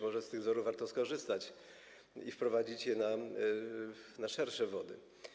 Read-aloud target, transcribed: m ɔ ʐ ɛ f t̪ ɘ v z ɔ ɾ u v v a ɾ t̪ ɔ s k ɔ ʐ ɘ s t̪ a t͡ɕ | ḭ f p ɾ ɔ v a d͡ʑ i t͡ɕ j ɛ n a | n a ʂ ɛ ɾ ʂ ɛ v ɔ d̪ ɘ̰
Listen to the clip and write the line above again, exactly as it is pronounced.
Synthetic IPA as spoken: m ɔ ʐ ɛ s t̪ ɘ ɣ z ɔ ɾ u v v a ɾ t̪ ɔ s k ɔ ʐ ɘ s t̪ a t͡ɕ | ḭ f p ɾ ɔ v a d͡ʑ i t͡ɕ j ɛ n a | n a ʂ ɛ ɾ ʂ ɛ v ɔ d̪ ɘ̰